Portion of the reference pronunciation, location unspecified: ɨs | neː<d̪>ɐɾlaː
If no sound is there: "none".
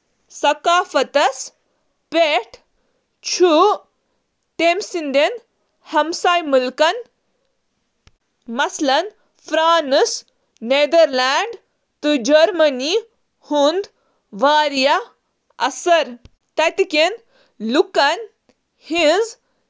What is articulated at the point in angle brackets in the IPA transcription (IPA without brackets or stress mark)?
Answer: d̪